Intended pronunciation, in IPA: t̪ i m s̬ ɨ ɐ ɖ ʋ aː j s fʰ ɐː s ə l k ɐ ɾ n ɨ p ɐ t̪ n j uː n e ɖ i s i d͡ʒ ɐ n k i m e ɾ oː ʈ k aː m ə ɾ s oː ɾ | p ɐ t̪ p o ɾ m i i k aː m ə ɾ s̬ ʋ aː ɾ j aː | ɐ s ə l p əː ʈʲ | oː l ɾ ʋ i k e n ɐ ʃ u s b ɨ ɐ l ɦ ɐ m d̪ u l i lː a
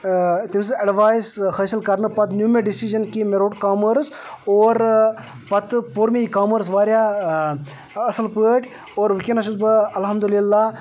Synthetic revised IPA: t̪ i m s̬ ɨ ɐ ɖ ʋ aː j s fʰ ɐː s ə l k ɐ ɾ n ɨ p ɐ t̪ n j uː m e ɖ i s i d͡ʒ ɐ n k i m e ɾ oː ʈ k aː m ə ɾ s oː ɾ | p ɐ t̪ p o ɾ m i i k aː m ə ɾ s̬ ʋ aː ɾ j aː | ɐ s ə l p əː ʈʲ | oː ɾ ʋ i k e n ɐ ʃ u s b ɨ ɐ l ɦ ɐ m d̪ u l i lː a